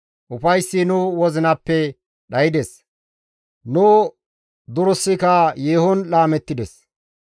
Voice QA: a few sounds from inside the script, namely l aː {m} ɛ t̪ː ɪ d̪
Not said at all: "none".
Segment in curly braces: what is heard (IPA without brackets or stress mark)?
m